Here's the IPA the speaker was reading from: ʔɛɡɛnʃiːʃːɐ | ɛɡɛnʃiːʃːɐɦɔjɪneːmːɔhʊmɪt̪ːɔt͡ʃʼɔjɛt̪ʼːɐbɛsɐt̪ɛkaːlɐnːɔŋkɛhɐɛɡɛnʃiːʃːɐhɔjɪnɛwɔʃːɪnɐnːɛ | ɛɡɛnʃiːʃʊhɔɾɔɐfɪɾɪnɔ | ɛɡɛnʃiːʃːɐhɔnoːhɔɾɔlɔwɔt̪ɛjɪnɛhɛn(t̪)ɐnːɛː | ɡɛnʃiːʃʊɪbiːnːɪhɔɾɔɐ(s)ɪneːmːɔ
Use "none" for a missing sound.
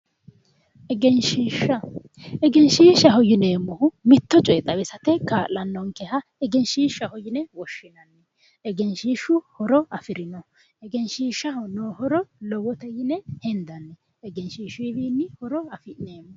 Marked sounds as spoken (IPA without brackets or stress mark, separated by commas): d̪, f